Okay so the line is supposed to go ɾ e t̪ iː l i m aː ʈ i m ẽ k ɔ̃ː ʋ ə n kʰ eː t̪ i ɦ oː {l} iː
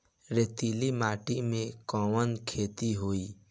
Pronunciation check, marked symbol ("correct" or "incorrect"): incorrect